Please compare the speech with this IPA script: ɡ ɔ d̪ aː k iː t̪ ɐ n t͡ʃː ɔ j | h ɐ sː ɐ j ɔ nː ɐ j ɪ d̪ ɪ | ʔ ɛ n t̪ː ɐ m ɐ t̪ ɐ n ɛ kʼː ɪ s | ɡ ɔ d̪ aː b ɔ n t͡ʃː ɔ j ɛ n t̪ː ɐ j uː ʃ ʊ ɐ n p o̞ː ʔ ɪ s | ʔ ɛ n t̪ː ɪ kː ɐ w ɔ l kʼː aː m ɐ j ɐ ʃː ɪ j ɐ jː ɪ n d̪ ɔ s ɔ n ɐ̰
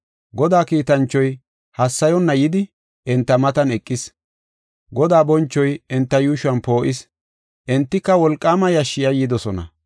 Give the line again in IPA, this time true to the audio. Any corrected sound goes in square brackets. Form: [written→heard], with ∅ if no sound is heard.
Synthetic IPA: ɡ ɔ d̪ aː k iː t̪ ɐ n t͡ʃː ɔ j | h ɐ sː ɐ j ɔ nː ɐ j ɪ d̪ ɪ | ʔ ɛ n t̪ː ɐ m ɐ t̪ ɐ n ɛ kʼː ɪ s | ɡ ɔ d̪ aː b ɔ n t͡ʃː ɔ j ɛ n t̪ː ɐ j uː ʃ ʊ ɐ n p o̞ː ʔ ɪ s | ʔ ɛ n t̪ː ɪ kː ɐ w ɔ l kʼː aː m ɐ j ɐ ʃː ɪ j ɐ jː ɪ [n→∅] d̪ ɔ s ɔ n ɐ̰

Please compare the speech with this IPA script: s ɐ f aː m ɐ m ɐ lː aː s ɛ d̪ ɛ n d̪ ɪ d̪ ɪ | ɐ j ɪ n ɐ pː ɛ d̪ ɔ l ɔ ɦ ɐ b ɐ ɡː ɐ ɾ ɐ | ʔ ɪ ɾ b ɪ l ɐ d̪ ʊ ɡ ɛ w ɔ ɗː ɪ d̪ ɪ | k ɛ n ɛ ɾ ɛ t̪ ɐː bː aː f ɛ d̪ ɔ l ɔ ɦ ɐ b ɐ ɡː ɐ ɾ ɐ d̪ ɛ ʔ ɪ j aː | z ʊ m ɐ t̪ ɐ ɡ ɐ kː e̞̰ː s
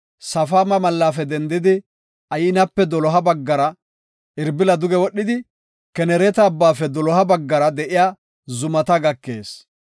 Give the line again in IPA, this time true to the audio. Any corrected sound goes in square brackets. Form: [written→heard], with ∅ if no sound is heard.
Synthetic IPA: s ɐ f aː m ɐ m ɐ lː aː [s→f] ɛ d̪ ɛ n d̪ ɪ d̪ ɪ | ɐ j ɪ n ɐ pː ɛ d̪ ɔ l ɔ ɦ ɐ b ɐ ɡː ɐ ɾ ɐ | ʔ ɪ ɾ b ɪ l ɐ d̪ ʊ ɡ ɛ w ɔ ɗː ɪ d̪ ɪ | k ɛ n ɛ ɾ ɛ t̪ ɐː bː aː f ɛ d̪ ɔ l ɔ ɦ ɐ b ɐ ɡː ɐ ɾ ɐ d̪ ɛ ʔ ɪ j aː | z ʊ m ɐ t̪ ɐ ɡ ɐ kː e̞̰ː s

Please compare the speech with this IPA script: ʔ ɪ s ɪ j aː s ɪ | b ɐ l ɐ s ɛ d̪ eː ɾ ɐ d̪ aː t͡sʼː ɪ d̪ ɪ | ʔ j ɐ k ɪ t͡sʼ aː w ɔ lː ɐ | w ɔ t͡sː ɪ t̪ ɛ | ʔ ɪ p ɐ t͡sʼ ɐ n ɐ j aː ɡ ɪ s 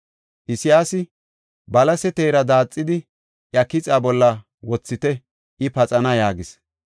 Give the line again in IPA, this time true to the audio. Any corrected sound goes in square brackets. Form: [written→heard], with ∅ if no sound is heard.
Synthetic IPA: ʔ ɪ s ɪ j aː s ɪ | b ɐ l ɐ s ɛ [d̪→t̪] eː ɾ ɐ d̪ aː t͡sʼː ɪ d̪ ɪ | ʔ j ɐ k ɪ t͡sʼ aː [w→b] ɔ lː ɐ | w ɔ t͡sː ɪ t̪ ɛ | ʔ ɪ p ɐ t͡sʼ ɐ n ɐ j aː ɡ ɪ s

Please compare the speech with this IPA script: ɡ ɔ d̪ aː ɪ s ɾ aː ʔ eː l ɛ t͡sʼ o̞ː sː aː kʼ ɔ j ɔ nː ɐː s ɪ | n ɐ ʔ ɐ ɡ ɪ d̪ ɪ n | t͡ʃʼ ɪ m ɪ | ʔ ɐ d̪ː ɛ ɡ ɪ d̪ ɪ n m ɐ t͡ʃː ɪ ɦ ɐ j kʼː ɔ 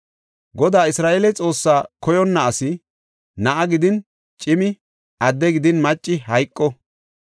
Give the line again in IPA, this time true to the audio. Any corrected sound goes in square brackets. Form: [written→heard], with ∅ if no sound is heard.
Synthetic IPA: ɡ ɔ d̪ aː ɪ s ɾ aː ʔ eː l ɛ t͡sʼ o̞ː sː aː [kʼ→k] ɔ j ɔ nː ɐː s ɪ | n ɐ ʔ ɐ ɡ ɪ d̪ ɪ n | t͡ʃʼ ɪ m ɪ | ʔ ɐ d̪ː ɛ ɡ ɪ d̪ ɪ n m ɐ [t͡ʃː→t͡ʃʼː] ɪ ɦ ɐ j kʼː ɔ

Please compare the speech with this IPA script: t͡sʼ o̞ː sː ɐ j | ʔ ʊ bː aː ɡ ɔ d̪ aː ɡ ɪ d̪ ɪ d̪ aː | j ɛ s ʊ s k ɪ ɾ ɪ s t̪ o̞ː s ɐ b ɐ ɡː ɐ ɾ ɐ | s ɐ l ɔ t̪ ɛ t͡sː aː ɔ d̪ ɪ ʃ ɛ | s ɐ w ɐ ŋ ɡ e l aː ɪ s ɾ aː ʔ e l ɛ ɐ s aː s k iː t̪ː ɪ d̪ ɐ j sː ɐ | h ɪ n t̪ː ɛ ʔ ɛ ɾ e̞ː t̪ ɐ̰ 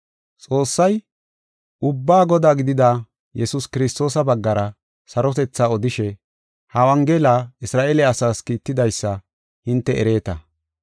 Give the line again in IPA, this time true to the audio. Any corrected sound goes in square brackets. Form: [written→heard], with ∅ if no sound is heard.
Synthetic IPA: t͡sʼ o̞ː sː ɐ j | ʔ ʊ bː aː ɡ ɔ d̪ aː ɡ ɪ d̪ ɪ d̪ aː | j ɛ s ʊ s k ɪ ɾ ɪ s t̪ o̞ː s ɐ b ɐ ɡː ɐ ɾ ɐ | s ɐ [l→ɾ] ɔ t̪ ɛ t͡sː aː ɔ d̪ ɪ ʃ ɛ | [s→h] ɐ w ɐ ŋ ɡ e l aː ɪ s ɾ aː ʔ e l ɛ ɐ s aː s k iː t̪ː ɪ d̪ ɐ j sː ɐ | h ɪ n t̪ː ɛ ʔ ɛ ɾ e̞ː t̪ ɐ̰

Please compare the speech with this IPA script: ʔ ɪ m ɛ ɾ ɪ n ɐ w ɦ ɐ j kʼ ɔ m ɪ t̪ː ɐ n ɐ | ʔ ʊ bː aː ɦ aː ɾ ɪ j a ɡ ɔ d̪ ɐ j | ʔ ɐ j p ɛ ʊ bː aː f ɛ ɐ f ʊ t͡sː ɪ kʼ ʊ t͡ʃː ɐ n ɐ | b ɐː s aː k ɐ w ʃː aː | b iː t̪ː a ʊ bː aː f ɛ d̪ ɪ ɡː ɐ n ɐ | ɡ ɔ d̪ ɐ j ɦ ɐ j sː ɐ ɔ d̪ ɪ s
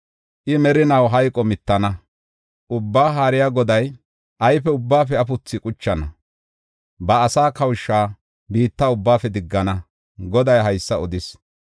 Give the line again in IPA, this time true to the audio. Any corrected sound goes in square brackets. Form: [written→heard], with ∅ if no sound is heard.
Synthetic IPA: ʔ ɪ m ɛ ɾ ɪ n ɐ w ɦ ɐ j kʼ ɔ m ɪ t̪ː ɐ n ɐ | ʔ ʊ bː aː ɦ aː ɾ ɪ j a ɡ ɔ d̪ ɐ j | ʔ ɐ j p ɛ ʊ bː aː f ɛ ɐ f ʊ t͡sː ɪ kʼ ʊ t͡ʃː ɐ n ɐ | b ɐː s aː k ɐ w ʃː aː | b iː t̪ː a ʊ bː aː f ɛ d̪ ɪ ɡː ɐ n ɐ | ɡ ɔ d̪ ɐ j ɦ ɐ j sː ɐ ɔ d̪ ɪ s

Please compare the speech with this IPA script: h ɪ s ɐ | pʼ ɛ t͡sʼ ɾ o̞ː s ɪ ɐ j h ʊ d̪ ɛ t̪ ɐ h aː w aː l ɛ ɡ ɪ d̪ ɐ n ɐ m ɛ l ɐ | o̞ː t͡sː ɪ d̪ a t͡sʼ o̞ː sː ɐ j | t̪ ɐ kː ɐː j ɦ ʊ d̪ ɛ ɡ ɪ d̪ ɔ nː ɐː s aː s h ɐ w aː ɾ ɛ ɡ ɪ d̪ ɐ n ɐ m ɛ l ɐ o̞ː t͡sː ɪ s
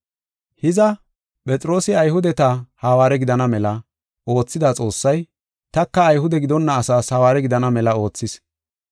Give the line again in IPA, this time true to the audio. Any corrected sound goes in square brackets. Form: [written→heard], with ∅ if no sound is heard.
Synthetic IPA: h ɪ [s→z] ɐ | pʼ ɛ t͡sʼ ɾ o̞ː s ɪ ɐ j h ʊ d̪ ɛ t̪ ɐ h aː w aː [l→ɾ] ɛ ɡ ɪ d̪ ɐ n ɐ m ɛ l ɐ | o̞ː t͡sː ɪ d̪ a t͡sʼ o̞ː sː ɐ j | t̪ ɐ kː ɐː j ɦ ʊ d̪ ɛ ɡ ɪ d̪ ɔ nː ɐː s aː s h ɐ w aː ɾ ɛ ɡ ɪ d̪ ɐ n ɐ m ɛ l ɐ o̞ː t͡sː ɪ s

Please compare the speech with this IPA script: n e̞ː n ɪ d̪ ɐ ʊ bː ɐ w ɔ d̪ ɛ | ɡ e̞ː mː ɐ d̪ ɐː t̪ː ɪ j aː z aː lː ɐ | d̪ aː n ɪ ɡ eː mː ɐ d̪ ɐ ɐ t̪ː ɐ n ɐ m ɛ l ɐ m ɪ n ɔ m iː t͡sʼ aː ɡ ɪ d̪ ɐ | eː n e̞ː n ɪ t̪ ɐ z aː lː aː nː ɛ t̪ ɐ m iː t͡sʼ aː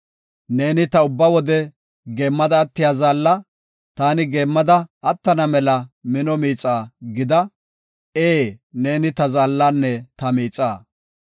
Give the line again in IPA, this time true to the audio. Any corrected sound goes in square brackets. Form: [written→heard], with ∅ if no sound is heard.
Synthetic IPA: n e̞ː n ɪ [d̪→t̪] ɐ ʊ bː ɐ w ɔ d̪ ɛ | ɡ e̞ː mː ɐ d̪ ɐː t̪ː ɪ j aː z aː lː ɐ | [d̪→t̪] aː n ɪ ɡ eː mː ɐ d̪ ɐ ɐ t̪ː ɐ n ɐ m ɛ l ɐ m ɪ n ɔ m iː t͡sʼ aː ɡ ɪ d̪ ɐ | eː n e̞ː n ɪ t̪ ɐ z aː lː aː nː ɛ t̪ ɐ m iː t͡sʼ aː

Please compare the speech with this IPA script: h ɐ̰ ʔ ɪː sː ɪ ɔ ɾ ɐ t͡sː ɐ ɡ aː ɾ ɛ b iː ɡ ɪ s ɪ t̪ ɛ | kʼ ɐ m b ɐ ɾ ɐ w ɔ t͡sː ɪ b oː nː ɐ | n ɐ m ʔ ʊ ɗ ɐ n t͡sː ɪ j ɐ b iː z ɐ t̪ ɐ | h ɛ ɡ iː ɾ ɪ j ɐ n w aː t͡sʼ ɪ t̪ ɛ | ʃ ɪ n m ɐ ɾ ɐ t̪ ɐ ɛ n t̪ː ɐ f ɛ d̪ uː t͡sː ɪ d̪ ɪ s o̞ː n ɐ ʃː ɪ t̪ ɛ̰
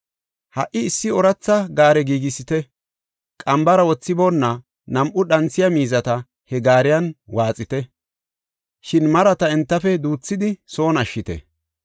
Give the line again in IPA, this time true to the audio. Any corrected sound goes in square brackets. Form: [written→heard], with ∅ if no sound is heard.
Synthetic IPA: h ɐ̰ ʔ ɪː sː ɪ ɔ ɾ ɐ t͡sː ɐ ɡ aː ɾ ɛ [b→ɡ] iː ɡ ɪ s ɪ t̪ ɛ | kʼ ɐ m b ɐ ɾ ɐ w ɔ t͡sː ɪ b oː nː ɐ | n ɐ m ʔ ʊ ɗ ɐ n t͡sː ɪ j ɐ [b→m] iː z ɐ t̪ ɐ | h ɛ ɡ [iː→aː] ɾ ɪ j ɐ n w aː t͡sʼ ɪ t̪ ɛ | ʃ ɪ n m ɐ ɾ ɐ t̪ ɐ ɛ n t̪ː ɐ f ɛ d̪ uː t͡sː ɪ d̪ ɪ s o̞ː n ɐ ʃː ɪ t̪ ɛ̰

